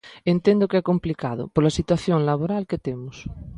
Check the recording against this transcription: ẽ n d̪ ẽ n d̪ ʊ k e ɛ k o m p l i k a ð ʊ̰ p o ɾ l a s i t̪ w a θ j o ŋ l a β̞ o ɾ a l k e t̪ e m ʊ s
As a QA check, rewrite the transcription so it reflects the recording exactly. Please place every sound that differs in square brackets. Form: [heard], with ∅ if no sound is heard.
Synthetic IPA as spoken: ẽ n [t̪] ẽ n d̪ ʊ k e ɛ k o m p l i k a ð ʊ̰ p o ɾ l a s i t̪ w a θ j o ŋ l a β̞ o ɾ a l k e t̪ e m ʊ s